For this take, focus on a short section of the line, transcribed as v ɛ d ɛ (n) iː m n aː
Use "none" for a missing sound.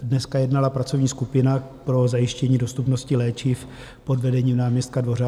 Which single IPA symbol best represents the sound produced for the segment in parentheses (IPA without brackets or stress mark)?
ɲ